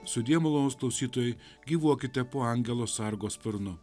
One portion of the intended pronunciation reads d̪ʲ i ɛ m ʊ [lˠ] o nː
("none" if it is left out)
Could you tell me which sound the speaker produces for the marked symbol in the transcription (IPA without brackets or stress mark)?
lˠ